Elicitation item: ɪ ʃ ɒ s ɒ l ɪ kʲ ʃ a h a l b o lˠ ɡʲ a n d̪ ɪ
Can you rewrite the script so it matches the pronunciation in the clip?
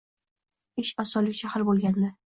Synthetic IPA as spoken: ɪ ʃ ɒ s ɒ l ɪ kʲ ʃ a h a ɾ b o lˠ ɡʲ a n d̪ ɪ